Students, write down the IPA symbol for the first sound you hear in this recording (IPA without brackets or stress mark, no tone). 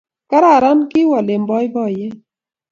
k